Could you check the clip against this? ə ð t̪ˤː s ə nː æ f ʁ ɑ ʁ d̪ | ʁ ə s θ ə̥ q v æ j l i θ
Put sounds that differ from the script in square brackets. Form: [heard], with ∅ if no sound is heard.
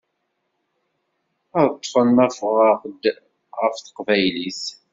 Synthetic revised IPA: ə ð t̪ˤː [f] ə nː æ f ʁ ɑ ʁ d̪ | ʁ ə [f] θ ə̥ q v æ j l i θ